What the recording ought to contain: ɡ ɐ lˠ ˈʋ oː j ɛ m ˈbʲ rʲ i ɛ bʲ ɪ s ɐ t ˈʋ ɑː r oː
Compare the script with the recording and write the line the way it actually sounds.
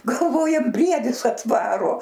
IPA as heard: ɡ ɐ lˠ ˈʋ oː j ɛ m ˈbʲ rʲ i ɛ dʲ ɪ s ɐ t ˈʋ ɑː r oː